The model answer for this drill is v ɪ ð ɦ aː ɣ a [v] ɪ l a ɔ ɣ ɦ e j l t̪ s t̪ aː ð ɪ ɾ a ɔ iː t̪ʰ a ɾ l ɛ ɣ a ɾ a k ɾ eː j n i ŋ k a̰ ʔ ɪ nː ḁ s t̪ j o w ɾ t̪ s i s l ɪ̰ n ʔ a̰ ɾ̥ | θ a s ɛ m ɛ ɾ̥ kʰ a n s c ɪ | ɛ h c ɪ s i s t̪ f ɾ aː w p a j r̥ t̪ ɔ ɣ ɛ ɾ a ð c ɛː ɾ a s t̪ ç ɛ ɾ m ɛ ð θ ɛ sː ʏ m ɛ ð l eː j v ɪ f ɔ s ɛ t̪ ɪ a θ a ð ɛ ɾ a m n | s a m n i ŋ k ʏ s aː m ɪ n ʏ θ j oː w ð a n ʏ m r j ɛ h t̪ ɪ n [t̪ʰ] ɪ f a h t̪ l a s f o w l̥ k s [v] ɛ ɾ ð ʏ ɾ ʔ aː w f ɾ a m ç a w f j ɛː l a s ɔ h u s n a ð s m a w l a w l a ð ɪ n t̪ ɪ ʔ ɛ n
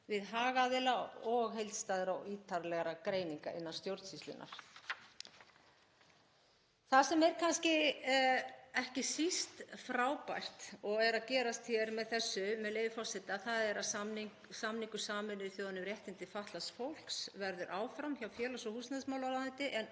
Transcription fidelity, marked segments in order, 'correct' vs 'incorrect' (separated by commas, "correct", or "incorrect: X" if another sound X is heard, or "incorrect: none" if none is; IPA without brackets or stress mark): incorrect: ð, incorrect: t̪, correct